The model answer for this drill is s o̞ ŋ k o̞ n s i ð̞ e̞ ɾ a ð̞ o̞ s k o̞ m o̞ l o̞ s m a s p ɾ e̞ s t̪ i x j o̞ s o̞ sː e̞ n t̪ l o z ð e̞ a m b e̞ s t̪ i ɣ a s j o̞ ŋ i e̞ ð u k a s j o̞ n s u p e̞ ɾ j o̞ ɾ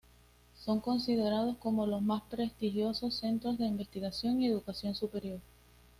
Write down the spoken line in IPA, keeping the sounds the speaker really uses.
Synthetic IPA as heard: s o̞ ŋ k o̞ n s i ð̞ e̞ ɾ a ð̞ o̞ s k o̞ m o̞ l o̞ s m a s p ɾ e̞ s t̪ i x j o̞ s o̞ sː e̞ n t̪ ɾ o z ð e̞ i m b e̞ s t̪ i ɣ a s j o̞ ŋ i e̞ ð u k a s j o̞ n s u p e̞ ɾ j o̞ ɾ

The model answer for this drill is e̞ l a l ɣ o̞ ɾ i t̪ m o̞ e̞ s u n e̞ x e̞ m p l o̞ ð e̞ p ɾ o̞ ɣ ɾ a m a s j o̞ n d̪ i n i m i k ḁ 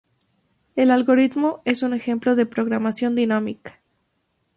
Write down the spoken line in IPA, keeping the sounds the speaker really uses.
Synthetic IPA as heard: e̞ l a l ɣ o̞ ɾ i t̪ m o̞ e̞ s u n e̞ x e̞ m p l o̞ ð e̞ p ɾ o̞ ɣ ɾ a m a s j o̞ n d̪ i n a m i k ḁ

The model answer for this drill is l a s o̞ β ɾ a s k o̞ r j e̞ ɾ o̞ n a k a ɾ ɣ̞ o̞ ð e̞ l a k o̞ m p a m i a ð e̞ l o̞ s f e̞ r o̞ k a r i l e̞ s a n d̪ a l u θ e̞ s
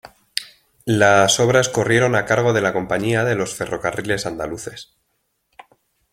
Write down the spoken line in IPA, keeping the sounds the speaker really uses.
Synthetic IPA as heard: l a s o̞ β ɾ a s k o̞ r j e̞ ɾ o̞ n a k a ɾ ɣ̞ o̞ ð e̞ l a k o̞ m p a ɲ i a ð e̞ l o̞ s f e̞ r o̞ k a r i l e̞ s a n d̪ a l u θ e̞ s

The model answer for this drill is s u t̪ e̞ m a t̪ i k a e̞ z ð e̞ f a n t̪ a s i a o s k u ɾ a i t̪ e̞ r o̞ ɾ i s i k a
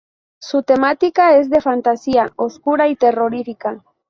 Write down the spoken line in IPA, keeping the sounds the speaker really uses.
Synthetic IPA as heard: s u t̪ e̞ m a t̪ i k a e̞ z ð e̞ f a n t̪ a s i a o s k u ɾ a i t̪ e̞ r o̞ ɾ i f i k a

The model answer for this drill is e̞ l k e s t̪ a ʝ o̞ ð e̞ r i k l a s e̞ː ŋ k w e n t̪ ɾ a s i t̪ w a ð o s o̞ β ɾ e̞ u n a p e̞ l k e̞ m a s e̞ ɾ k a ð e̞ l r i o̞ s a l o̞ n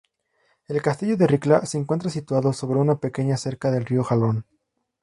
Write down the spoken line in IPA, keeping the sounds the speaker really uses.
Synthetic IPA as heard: e̞ l k a s t̪ i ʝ o̞ ð e̞ r i k l a s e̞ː ŋ k w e n t̪ ɾ a s i t̪ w a ð o s o̞ β ɾ e̞ u n a p e̞ k e̞ ɲ a s e̞ ɾ k a ð e̞ l r i o̞ x a l o̞ n

